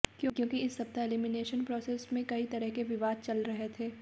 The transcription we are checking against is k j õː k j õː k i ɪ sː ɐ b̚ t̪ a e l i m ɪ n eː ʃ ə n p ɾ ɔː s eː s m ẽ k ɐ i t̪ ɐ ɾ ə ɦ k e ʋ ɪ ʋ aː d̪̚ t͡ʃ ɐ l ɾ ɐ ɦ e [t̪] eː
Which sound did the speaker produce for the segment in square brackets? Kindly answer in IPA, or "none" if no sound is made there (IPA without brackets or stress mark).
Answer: t̪ʰ